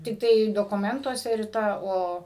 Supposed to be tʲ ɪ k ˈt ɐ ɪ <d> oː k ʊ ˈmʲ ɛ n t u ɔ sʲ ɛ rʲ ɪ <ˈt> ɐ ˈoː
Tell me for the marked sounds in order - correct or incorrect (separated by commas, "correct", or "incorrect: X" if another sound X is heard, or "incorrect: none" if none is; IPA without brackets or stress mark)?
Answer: correct, correct